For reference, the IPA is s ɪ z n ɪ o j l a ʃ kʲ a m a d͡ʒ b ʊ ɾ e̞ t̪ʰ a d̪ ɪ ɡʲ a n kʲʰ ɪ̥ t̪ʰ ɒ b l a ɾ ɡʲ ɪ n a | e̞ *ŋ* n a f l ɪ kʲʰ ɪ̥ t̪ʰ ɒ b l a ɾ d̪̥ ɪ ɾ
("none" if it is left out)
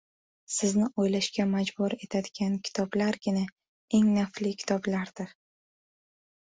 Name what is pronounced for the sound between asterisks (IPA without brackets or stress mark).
ŋ